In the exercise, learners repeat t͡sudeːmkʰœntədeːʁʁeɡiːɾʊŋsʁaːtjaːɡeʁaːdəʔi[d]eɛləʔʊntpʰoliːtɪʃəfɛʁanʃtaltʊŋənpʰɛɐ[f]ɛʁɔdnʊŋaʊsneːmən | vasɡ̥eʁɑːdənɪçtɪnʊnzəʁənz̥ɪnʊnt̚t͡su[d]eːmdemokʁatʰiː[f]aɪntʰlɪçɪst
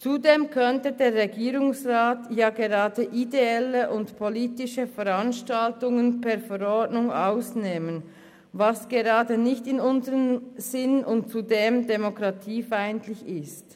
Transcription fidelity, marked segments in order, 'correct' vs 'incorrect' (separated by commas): correct, correct, correct, correct